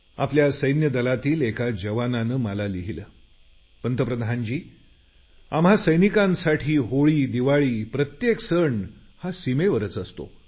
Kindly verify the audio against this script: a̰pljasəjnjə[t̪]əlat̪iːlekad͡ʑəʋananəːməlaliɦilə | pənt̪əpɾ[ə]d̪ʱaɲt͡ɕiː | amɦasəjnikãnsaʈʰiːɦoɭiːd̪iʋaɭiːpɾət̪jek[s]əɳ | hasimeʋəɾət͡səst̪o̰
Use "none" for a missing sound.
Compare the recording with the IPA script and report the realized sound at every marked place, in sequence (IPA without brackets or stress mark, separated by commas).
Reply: d̪, ə, s